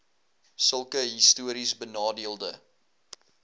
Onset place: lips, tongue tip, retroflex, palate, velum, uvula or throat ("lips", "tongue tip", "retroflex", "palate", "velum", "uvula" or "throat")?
tongue tip